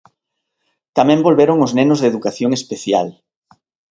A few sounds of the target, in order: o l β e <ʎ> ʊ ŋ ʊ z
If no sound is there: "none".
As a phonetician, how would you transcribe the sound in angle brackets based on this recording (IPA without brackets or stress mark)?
ɾ